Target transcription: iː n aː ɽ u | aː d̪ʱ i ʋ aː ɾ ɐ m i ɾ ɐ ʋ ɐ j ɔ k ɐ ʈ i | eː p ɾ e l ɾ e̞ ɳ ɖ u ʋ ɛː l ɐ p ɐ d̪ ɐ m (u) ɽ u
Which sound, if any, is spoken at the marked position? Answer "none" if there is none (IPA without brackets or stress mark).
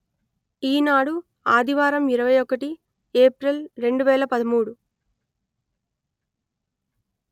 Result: uː